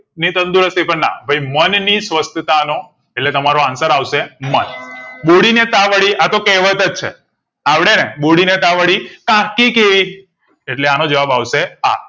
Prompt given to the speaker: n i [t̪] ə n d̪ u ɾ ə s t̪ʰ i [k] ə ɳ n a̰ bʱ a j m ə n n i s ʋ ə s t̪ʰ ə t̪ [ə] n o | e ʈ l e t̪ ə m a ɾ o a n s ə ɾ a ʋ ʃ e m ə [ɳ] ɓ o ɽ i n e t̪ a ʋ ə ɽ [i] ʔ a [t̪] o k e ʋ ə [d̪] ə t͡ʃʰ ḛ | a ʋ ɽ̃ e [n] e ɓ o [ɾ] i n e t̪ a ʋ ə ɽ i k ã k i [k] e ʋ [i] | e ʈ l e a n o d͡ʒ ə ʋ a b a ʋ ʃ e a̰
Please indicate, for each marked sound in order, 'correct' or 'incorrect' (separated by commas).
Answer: correct, incorrect, incorrect, incorrect, correct, correct, incorrect, correct, incorrect, correct, correct